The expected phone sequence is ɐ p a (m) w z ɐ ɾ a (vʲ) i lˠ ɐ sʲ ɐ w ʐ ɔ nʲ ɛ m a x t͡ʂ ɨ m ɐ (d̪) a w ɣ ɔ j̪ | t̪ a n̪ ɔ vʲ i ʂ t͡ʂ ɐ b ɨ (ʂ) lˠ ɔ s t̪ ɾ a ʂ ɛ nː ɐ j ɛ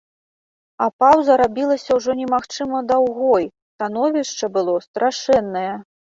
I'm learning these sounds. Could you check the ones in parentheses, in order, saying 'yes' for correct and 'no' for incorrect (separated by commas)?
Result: no, no, yes, no